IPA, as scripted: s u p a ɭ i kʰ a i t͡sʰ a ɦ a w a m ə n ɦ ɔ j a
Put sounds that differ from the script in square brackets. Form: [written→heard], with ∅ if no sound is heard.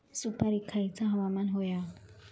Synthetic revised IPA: s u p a [ɭ→ɾ] i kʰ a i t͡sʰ a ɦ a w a m [ə→a] n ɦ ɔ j a